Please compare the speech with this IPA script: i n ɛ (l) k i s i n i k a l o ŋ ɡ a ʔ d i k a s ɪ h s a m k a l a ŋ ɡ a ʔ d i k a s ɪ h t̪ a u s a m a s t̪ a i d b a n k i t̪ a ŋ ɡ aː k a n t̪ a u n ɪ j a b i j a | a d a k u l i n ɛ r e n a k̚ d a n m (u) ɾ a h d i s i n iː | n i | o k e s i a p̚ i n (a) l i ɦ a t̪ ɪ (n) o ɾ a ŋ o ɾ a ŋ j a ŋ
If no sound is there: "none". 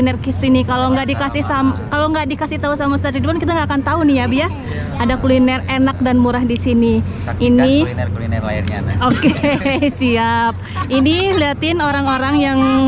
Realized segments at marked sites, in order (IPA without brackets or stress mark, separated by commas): r, u, i, n